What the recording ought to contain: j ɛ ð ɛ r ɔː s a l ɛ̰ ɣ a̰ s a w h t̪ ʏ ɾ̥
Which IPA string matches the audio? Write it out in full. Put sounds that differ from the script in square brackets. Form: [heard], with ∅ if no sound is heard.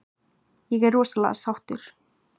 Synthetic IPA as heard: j ɛ [ɣ] ɛ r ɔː s a l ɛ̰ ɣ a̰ s a w h t̪ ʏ ɾ̥